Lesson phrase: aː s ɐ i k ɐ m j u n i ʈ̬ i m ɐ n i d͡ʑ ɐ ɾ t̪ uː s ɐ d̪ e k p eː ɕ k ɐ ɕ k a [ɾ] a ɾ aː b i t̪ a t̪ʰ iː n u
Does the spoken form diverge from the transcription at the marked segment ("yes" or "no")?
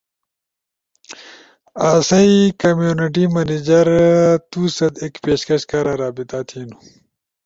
no